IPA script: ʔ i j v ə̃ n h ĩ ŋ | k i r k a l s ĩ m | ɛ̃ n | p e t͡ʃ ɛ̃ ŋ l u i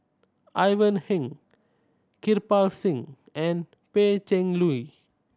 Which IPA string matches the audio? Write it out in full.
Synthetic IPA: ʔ a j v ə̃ n h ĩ ŋ | k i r p a l s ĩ ŋ | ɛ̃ n | p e t͡ʃ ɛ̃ ŋ l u i